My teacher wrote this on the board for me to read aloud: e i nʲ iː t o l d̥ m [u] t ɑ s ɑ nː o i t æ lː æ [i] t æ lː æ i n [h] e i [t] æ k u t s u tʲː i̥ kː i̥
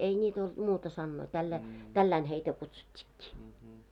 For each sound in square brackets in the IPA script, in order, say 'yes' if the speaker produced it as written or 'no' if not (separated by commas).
no, yes, yes, yes